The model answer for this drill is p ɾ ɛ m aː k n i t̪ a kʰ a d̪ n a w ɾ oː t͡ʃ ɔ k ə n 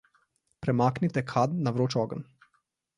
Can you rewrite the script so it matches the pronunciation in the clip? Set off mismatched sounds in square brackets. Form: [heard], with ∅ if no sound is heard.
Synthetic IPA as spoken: p ɾ ɛ m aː k n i t̪ [ɛ] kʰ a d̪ n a [ʋ] ɾ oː t͡ʃ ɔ [ɡ] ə n